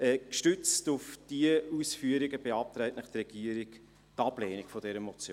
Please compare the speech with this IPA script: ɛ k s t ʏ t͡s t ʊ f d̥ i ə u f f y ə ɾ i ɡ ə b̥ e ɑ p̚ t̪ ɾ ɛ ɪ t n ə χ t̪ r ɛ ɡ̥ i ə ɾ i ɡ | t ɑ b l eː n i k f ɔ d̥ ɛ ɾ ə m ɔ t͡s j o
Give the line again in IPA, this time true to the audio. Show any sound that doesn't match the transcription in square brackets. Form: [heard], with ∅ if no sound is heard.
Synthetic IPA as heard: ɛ k [ʃ] t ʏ t͡s t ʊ f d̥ i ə u [s] f y ə ɾ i ɡ ə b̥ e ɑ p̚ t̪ ɾ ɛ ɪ t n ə χ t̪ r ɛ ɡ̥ i ə ɾ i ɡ | t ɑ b l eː n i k f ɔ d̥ ɛ ɾ ə m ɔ t͡s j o